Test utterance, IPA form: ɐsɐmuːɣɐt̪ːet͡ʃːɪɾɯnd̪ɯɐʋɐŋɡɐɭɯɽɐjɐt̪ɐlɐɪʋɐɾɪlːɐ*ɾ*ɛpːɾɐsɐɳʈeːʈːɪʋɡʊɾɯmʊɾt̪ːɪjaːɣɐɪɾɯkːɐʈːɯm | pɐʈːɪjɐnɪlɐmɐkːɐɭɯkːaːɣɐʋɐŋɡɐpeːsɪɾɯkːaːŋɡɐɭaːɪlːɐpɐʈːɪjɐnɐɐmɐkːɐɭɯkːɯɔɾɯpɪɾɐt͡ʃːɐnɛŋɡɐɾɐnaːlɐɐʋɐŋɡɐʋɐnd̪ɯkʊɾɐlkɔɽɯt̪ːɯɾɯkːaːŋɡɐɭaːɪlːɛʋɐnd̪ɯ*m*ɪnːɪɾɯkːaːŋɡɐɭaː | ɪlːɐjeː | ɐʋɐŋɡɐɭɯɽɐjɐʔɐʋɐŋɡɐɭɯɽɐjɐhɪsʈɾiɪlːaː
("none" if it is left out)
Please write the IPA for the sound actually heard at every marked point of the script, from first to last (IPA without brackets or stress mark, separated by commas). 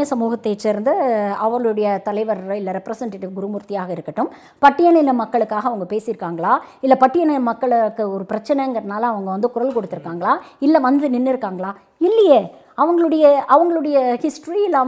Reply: ɾ, n